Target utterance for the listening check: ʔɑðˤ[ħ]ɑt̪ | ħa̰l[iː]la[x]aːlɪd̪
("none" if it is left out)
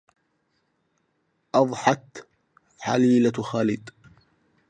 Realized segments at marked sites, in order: ħ, iː, x

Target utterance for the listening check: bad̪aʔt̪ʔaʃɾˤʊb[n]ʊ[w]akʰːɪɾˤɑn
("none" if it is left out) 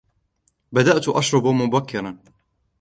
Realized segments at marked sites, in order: m, b

